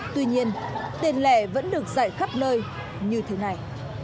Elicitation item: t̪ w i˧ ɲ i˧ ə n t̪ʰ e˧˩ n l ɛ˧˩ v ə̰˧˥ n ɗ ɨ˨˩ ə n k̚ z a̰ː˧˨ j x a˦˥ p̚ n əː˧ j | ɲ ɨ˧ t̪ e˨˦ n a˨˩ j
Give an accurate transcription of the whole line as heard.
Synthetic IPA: t̪ w i˧ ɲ i˧ ə n t̪ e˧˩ n l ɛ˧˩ v ə̰˧˥ n ɗ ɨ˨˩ ə k̚ z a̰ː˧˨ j x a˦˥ p̚ n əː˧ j | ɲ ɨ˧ t̪ʰ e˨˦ n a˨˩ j

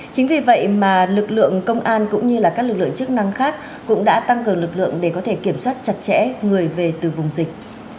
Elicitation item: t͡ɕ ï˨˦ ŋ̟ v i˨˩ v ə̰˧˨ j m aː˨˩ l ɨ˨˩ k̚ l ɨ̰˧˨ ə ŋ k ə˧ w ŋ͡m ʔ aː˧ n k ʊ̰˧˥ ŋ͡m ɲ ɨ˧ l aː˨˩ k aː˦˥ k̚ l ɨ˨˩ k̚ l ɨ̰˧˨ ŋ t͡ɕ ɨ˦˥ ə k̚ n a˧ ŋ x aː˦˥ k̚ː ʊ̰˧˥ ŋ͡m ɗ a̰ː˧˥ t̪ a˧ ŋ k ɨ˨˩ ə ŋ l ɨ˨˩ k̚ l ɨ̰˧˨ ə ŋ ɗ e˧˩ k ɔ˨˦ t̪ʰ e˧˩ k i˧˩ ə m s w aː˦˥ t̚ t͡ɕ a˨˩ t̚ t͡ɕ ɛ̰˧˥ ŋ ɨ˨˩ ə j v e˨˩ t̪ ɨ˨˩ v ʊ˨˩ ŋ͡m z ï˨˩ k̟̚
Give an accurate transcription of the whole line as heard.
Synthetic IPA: t͡ɕ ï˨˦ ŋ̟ v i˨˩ v ə̰˧˨ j m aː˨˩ l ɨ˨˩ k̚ l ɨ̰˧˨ ə ŋ k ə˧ w ŋ͡m ʔ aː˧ n k ʊ̰˧˥ ŋ͡m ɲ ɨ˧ l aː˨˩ k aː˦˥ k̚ l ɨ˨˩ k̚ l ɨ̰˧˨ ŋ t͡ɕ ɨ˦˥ ə k̚ n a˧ ŋ x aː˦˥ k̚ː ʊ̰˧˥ ŋ͡m ɗ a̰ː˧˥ t̪ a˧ ŋ k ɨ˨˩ ə ŋ l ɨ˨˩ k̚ l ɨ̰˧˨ ə ŋ ɗ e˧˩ k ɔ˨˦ t̪ʰ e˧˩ k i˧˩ ə m s w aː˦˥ t̚ t͡ɕ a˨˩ t̚ t͡ɕ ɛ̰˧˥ ŋ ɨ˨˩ ə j v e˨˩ t̪ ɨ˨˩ v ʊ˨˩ ŋ͡m z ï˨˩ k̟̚

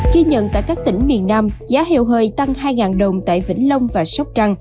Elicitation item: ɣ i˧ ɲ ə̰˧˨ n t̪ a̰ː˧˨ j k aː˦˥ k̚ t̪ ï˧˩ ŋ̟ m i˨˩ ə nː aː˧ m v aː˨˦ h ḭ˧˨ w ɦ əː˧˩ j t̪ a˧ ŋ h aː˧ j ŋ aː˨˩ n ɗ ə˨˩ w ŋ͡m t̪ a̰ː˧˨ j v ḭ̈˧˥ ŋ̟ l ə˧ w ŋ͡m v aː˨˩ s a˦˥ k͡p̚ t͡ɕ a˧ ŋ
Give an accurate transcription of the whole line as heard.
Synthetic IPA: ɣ i˧ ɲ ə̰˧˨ n t̪ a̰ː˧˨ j k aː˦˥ k̚ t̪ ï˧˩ ŋ̟ m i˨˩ ə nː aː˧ m z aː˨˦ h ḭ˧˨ w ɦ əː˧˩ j t̪ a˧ ŋ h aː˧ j ŋ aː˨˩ n ɗ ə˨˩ w ŋ͡m t̪ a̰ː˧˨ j v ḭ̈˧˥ ŋ̟ l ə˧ w ŋ͡m v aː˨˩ s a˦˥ k͡p̚ t͡ɕ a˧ ŋ

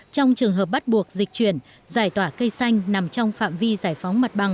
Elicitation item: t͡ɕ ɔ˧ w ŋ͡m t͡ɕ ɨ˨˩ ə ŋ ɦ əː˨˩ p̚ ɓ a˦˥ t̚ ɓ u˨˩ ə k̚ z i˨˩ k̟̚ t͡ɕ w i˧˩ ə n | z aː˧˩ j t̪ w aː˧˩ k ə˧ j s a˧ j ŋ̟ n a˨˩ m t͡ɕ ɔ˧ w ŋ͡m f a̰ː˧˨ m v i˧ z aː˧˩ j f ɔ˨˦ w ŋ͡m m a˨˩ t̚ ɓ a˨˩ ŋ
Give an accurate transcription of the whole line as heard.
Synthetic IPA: t͡ɕ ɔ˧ w ŋ͡m t͡ɕ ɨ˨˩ ə ŋ ɦ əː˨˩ p̚ ɓ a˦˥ t̚ ɓ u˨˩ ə k̚ z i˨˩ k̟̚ t͡ɕ w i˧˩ ə n | z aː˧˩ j t̪ w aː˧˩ k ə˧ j s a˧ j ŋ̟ n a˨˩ m t͡ɕ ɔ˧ w ŋ͡m f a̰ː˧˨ m v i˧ z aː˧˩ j f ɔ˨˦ w ŋ͡m m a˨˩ t̚ ɓ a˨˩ ŋ

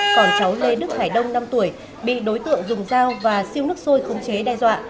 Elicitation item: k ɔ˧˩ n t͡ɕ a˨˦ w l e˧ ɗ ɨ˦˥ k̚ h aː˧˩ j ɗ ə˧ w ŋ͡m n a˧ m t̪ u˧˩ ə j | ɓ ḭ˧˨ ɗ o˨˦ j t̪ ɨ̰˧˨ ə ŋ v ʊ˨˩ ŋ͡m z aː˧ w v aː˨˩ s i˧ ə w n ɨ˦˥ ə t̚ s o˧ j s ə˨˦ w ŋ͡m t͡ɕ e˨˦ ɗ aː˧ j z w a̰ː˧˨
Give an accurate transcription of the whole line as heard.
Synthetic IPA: k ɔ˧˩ n t͡ɕ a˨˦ w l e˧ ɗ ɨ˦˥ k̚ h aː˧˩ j ɗ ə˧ w ŋ͡m n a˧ m t̪ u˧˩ ə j | ɓ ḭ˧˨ ɗ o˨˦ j t̪ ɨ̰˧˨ ə ŋ z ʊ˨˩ ŋ͡m z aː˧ w v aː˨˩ s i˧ ə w n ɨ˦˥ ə k̚ s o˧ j x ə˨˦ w ŋ͡m t͡ɕ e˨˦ ɗ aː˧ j z w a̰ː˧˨

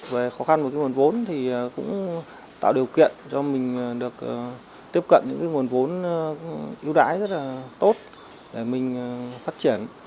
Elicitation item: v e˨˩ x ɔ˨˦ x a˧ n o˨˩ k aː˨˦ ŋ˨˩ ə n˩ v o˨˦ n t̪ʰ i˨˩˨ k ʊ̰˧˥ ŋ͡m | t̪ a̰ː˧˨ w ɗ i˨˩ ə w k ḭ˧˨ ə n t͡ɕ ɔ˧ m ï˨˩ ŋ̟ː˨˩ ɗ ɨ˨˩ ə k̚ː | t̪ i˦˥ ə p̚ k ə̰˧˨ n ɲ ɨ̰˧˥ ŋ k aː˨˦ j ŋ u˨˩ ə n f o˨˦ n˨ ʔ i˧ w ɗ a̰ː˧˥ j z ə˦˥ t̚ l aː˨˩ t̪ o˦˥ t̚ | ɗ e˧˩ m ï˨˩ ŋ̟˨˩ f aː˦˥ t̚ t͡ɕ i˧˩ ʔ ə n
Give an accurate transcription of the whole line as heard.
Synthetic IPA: v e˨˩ x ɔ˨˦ x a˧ n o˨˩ k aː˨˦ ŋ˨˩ ə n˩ v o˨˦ n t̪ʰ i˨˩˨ k ʊ̰˧˥ ŋ͡m | t̪ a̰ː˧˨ w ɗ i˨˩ ə w k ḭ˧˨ ə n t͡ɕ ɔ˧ m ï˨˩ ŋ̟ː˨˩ ɗ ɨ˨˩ ə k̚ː | t̪ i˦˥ ə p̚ k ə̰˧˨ n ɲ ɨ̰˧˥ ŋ k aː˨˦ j ŋ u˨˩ ə n v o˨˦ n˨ ʔ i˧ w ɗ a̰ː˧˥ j z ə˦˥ t̚ l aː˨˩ t̪ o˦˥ t̚ | ɗ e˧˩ m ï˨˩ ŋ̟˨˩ f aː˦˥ t̚ t͡ɕ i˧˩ ə n

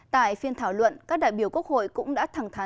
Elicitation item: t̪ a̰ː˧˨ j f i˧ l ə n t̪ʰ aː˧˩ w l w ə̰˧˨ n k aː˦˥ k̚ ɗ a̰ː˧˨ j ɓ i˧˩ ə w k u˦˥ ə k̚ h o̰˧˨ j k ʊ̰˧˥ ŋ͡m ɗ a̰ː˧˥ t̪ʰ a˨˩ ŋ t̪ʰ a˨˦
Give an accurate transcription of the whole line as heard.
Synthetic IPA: t̪ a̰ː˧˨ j f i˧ ə n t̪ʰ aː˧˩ w l w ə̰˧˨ n k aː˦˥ k̚ ɗ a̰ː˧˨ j ɓ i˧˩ ə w k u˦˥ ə k̚ h o̰˧˨ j k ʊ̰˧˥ ŋ͡m ɗ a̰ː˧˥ t̪ʰ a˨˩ ŋ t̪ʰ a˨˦

